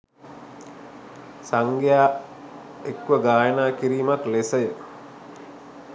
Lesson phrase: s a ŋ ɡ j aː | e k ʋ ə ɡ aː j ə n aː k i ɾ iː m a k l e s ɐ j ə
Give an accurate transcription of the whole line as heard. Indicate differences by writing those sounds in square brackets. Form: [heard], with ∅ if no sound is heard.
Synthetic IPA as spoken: s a ŋ ɡ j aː | e k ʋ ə ɡ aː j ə n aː k i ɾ iː m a k l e s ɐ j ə